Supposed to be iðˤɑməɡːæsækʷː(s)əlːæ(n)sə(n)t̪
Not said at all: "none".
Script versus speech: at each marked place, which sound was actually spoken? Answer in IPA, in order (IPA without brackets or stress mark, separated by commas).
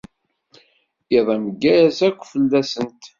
f, none, n